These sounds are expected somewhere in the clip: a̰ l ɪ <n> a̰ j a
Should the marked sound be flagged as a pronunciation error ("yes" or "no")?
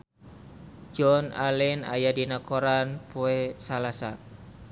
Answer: no